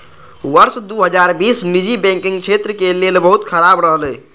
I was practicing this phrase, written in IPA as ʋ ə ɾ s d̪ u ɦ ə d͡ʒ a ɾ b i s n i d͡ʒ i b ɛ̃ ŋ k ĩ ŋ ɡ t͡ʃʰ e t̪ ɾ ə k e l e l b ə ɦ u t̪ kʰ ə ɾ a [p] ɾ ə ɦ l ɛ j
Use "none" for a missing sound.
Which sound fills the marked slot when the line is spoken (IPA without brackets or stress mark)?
b